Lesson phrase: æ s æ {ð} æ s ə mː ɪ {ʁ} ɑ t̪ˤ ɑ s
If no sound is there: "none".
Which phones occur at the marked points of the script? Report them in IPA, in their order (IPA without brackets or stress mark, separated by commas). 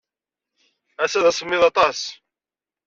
ð, ð